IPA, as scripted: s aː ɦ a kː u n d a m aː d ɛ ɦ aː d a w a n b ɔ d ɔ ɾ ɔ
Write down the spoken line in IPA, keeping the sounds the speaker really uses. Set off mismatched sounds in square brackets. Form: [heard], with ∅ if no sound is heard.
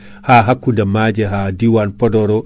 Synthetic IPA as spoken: [h] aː ɦ a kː u n d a m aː [d͡ʒ] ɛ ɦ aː d [i] w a n [p] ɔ d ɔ ɾ ɔ